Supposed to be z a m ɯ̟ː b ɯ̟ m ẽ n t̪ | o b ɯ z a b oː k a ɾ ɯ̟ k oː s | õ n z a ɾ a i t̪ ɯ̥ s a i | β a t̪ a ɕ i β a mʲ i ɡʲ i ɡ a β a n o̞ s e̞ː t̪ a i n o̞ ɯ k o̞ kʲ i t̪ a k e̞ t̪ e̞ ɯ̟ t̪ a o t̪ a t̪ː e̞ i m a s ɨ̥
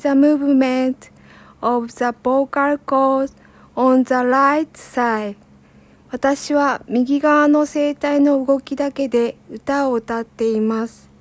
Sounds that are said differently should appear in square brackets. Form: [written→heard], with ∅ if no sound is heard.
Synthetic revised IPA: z a m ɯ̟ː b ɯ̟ m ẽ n t̪ | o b ɯ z a b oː k a ɾ ɯ̟ k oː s | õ n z a ɾ a i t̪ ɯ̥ s a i | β a t̪ a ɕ i β a mʲ i ɡʲ i ɡ a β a n o̞ s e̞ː t̪ a i n o̞ ɯ [k→ɡ] o̞ kʲ i [t̪→d̪] a k e̞ [t̪→d̪] e̞ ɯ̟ t̪ a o t̪ a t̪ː e̞ i m a s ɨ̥